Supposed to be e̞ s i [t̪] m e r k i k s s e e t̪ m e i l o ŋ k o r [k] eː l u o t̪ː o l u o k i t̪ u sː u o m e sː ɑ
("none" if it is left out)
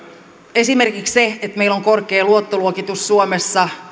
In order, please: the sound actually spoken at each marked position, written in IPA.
none, k

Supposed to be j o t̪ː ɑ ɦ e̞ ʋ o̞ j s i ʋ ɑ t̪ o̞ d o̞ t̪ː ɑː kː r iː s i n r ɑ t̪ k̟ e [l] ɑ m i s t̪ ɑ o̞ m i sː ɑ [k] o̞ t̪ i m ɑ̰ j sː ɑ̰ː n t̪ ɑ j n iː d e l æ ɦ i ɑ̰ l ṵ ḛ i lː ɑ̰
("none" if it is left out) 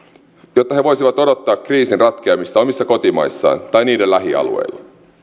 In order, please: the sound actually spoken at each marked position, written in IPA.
none, k

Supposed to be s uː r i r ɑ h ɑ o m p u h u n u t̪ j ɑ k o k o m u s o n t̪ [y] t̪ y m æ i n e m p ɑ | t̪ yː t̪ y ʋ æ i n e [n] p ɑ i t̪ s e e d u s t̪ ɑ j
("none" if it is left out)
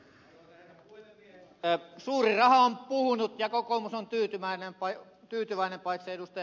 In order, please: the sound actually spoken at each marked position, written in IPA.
yː, m

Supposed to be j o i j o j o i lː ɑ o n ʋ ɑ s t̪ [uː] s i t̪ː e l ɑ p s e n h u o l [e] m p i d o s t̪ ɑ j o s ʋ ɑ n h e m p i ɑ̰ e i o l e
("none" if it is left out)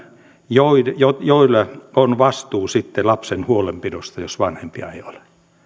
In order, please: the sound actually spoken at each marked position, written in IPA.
uː, e

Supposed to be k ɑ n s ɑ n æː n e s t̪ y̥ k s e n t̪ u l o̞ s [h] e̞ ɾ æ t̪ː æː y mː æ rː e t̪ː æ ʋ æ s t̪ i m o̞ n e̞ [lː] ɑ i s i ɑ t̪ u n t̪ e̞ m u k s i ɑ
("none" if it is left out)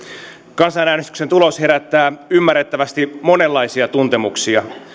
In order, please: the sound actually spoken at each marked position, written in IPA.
h, lː

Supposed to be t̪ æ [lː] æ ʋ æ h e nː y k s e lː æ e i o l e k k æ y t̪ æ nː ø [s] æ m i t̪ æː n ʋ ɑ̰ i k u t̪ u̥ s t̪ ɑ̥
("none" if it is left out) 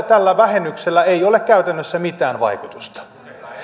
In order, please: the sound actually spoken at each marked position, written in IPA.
lː, sː

